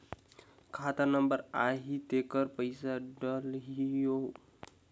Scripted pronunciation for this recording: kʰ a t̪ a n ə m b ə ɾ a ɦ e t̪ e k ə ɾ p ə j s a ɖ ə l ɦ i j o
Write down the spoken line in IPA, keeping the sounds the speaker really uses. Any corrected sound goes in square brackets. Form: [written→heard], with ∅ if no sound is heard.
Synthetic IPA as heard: kʰ a t̪ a n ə m b ə ɾ a ɦ [e→i] t̪ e k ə ɾ p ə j s a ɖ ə l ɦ i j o